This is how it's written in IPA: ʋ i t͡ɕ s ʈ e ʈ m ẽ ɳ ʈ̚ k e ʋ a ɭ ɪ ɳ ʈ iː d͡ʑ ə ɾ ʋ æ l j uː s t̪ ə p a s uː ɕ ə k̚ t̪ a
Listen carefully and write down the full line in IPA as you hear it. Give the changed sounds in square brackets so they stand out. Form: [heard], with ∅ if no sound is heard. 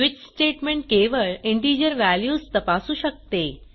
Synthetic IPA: ʋ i t͡ɕ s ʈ e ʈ m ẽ ɳ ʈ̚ k e ʋ [ə] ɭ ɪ ɳ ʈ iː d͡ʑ ə ɾ ʋ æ l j uː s t̪ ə p a s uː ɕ ə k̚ t̪ [e]